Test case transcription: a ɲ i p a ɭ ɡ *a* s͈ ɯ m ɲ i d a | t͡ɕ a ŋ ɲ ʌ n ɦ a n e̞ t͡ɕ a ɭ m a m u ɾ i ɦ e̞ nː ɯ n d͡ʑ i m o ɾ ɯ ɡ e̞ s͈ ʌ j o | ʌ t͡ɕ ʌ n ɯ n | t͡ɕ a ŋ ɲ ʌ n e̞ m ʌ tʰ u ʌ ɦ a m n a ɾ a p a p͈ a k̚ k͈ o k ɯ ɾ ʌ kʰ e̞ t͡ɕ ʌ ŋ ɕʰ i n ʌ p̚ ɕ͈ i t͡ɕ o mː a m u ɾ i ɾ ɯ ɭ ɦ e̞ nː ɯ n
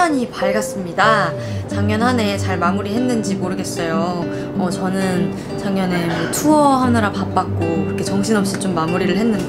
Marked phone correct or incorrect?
correct